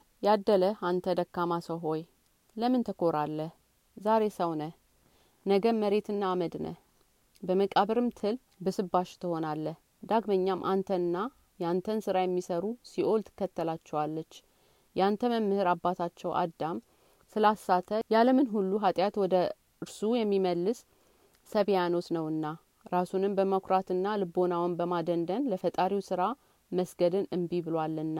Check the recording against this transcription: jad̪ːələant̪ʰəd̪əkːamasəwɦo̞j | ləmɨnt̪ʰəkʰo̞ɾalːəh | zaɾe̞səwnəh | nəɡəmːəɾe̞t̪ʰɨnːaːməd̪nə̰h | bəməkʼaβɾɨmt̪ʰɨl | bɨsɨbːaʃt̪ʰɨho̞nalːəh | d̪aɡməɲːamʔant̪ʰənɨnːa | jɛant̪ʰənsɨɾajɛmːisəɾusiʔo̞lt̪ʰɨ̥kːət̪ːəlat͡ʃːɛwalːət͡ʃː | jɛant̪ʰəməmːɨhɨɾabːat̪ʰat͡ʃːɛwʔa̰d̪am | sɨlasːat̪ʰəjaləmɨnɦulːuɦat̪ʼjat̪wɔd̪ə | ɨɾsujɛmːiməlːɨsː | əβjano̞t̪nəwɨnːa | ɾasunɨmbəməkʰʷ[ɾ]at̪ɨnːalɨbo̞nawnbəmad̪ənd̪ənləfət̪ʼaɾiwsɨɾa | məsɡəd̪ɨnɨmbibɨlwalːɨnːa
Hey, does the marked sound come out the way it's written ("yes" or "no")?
yes